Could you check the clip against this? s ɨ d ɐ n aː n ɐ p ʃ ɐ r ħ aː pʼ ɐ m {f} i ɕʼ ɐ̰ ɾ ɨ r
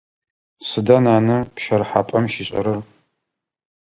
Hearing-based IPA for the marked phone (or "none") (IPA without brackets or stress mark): ʃ